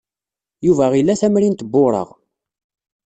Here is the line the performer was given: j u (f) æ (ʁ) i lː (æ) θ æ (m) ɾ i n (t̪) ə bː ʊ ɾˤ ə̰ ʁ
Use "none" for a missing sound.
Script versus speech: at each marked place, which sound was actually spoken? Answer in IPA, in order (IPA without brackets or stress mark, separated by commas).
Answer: v, ʁ, æ, m, t̪